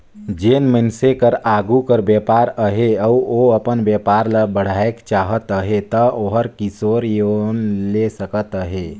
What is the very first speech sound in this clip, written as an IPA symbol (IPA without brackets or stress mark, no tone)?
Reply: d͡ʒ